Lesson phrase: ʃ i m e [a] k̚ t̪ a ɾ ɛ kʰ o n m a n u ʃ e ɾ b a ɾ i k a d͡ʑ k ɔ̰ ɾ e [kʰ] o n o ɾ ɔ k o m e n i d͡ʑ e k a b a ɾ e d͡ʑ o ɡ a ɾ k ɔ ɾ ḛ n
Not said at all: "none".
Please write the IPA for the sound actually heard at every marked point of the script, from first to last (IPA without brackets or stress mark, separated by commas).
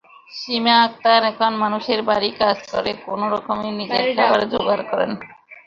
a, k